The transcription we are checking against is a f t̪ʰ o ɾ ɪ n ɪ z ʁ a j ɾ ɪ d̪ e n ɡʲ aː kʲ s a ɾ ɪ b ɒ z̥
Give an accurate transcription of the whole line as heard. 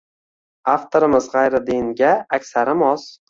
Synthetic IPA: a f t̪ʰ o ɾ ɪ m ɪ z ʁ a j ɾ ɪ d̪ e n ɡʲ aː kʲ s a ɾ ɪ m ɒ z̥

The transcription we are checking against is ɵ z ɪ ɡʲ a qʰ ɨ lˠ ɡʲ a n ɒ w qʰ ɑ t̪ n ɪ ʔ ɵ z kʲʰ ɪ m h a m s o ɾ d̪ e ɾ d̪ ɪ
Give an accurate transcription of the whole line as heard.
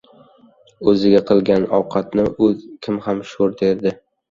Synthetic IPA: ɵ z ɪ ɡʲ a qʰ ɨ lˠ ɡʲ a n ɒ w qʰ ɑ t̪ n ɪ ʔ ɵ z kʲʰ ɪ m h a m ʃ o ɾ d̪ e ɾ d̪ ɪ

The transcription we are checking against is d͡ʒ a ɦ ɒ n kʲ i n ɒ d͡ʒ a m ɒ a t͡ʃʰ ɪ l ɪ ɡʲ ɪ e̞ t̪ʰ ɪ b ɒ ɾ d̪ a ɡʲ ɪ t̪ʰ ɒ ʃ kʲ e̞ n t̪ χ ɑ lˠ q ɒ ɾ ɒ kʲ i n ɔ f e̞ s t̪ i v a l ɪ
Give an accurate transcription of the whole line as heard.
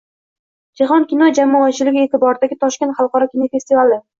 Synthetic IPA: d͡ʒ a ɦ ɒ n kʲ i n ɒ d͡ʒ a m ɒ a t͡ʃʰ ɪ l ɪ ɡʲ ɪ e̞ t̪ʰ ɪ b ɒ ɾ d̪ a ɡʲ ɪ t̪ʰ ɒ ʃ kʲ e̞ n t̪ χ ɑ lˠ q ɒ ɾ ɒ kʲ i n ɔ f e̞ s t̪ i v a l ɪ

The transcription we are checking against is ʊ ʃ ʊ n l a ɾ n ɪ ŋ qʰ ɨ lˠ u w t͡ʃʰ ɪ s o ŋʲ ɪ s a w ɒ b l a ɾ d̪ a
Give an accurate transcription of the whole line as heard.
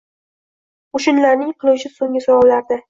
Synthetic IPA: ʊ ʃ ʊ n l a ɾ n ɪ ŋ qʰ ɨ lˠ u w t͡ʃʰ ɪ s o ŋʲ ɪ s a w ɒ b l a ɾ d̪ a

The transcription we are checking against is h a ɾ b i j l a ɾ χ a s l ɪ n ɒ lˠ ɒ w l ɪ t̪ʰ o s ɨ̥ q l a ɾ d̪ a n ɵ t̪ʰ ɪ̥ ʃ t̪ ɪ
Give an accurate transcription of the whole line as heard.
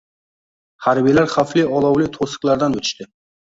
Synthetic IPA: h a ɾ b i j l a ɾ χ a f l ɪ ɒ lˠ ɒ w l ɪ t̪ʰ o s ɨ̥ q l a ɾ d̪ a n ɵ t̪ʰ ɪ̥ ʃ t̪ ɪ

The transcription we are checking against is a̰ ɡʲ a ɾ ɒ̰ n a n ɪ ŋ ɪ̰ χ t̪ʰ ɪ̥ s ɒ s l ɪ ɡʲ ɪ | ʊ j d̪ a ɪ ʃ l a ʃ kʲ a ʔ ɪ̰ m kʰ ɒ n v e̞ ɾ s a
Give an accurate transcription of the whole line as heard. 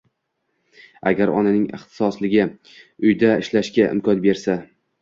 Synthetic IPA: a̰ ɡʲ a ɾ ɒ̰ n a n ɪ ŋ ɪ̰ χ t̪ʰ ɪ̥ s ɒ s l ɪ ɡʲ ɪ | ʊ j d̪ a ɪ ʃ l a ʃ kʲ a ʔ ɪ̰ m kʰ ɒ n b e̞ ɾ s a

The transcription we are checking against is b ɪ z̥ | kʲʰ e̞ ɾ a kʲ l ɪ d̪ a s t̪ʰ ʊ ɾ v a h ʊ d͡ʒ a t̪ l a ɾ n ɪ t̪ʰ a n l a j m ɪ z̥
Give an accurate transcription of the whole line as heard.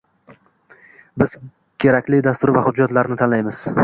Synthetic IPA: b ɪ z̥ | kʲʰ e̞ ɾ a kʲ l ɪ d̪ a s t̪ ʊ ɾ v a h ʊ d͡ʒː a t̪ l a ɾ n ɪ t̪ʰ a n l a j m ɪ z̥

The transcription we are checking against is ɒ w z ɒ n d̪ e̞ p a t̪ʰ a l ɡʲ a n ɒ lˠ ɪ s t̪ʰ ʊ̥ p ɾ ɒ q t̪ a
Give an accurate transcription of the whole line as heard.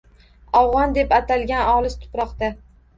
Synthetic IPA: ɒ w ʁ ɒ n d̪ e̞ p a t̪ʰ a l ɡʲ a n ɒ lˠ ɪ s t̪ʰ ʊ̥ p ɾ ɒ q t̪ a

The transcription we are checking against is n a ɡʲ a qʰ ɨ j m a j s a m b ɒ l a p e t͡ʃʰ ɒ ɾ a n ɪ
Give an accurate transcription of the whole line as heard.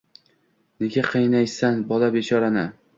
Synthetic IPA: n e ɡʲ a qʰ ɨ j n a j s a n b ɒ l a b e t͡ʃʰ ɒ ɾ a n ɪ

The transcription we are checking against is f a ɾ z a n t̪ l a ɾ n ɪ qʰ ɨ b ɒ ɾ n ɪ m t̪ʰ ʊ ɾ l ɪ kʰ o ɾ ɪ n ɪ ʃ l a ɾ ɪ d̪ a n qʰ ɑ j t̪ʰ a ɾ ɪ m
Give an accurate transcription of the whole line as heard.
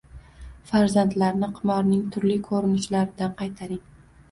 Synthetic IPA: f a ɾ z a n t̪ l a ɾ n ɪ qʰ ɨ m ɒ ɾ n ɪ ŋ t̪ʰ ʊ ɾ l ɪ kʰ o ɾ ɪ n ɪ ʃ l a ɾ ɪ d̪ a n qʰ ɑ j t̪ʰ a ɾ ɪ ŋ

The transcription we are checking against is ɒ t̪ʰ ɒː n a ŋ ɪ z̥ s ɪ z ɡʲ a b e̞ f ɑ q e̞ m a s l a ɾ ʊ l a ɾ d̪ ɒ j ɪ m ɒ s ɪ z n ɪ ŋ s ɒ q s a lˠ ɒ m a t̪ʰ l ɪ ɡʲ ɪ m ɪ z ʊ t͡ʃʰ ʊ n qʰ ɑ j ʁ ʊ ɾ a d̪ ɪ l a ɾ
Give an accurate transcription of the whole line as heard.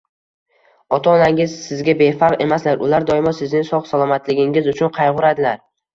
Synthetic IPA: ɒ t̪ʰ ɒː n a ŋ ɪ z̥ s ɪ z ɡʲ a b e̞ f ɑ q e̞ m a s l a ɾ ʊ l a ɾ d̪ ɒ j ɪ m ɒ s ɪ z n ɪ ŋ s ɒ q s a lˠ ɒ m a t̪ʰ l ɪ ɡʲ ɪ ŋ ɪ z ʊ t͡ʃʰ ʊ n qʰ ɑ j ʁ ʊ ɾ a d̪ ɪ l a ɾ

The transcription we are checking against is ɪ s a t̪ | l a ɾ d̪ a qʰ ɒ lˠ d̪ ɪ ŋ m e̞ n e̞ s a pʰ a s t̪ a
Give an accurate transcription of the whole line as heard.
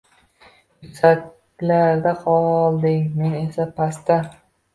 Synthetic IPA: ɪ s a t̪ | l a ɾ d̪ a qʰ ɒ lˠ d̪ ɪ ŋ m e̞ n e̞ s a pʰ a s t̪ a

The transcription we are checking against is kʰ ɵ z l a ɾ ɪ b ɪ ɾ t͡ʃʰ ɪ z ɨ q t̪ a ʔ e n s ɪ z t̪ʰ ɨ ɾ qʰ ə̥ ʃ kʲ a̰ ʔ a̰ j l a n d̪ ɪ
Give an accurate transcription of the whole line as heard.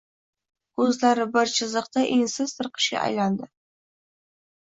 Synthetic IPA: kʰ ɵ z l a ɾ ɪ b ɪ ɾ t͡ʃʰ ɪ z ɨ q t̪ a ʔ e n s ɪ z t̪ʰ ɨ ɾ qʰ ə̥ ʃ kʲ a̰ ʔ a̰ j l a n d̪ ɪ

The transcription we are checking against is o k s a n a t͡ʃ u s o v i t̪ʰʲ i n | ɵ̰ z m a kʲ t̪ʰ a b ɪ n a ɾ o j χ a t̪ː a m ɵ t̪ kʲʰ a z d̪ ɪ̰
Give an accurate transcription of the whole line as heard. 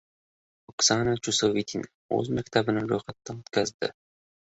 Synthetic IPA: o k s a n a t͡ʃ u s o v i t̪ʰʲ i n | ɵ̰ z m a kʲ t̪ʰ a b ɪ n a ɾ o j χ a t̪ː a n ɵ t̪ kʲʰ a z d̪ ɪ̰

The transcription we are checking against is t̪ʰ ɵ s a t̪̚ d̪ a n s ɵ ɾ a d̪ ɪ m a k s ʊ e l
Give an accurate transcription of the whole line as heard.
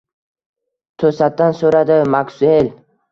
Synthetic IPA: t̪ʰ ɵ s a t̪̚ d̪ a n s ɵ ɾ a d̪ ɪ m a k s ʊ e l

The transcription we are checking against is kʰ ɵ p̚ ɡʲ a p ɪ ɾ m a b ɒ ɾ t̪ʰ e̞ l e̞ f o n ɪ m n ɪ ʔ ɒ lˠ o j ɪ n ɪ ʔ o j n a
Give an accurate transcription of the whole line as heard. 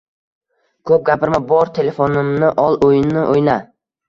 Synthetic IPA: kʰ ɵ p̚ ɡʲ a p ɪ ɾ m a b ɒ ɾ t̪ʰ e̞ l e̞ f o n ɪ m n ɪ ʔ ɒ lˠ o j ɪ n ɪ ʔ o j n a

